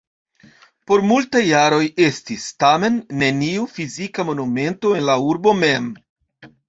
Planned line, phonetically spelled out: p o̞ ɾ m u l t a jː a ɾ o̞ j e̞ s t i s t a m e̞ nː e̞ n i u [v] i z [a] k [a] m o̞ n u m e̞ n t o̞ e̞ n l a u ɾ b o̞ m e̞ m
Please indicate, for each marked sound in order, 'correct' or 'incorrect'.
incorrect: f, incorrect: i, correct

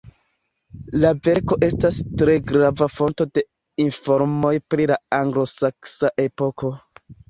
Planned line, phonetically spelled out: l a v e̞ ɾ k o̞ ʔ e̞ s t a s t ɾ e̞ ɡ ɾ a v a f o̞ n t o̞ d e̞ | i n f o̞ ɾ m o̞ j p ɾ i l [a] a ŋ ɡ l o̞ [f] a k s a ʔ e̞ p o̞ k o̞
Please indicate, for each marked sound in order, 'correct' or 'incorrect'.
correct, incorrect: s

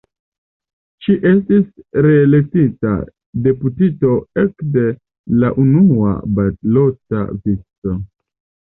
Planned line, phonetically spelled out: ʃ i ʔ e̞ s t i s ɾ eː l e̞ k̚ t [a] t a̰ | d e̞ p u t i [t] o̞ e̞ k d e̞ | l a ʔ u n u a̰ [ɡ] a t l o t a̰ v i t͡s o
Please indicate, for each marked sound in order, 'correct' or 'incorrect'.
incorrect: i, correct, incorrect: b

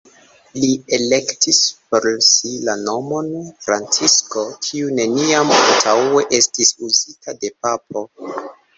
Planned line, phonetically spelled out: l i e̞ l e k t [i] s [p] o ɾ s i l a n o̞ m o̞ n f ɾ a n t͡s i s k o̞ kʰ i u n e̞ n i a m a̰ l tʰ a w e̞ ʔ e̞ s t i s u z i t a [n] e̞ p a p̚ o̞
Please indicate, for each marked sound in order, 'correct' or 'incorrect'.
correct, correct, incorrect: d

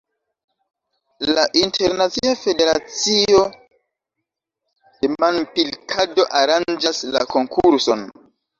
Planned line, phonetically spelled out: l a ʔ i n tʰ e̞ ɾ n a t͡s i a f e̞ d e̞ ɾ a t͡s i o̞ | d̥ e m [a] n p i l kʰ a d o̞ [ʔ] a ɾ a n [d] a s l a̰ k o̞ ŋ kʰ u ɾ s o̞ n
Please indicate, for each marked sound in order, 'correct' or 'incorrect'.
correct, correct, incorrect: d͡ʒ

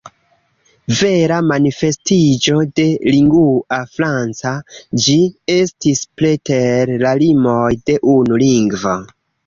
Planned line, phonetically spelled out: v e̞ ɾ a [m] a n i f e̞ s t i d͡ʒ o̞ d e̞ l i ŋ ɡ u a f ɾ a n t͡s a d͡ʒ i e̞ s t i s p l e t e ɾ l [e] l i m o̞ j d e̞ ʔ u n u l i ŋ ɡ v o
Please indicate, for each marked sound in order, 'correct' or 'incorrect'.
correct, incorrect: a

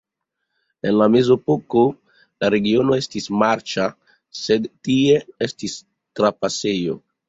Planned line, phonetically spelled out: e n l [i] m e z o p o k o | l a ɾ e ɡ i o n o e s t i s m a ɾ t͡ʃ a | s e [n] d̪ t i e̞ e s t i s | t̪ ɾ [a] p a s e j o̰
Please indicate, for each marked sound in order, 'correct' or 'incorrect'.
incorrect: a, incorrect: none, correct

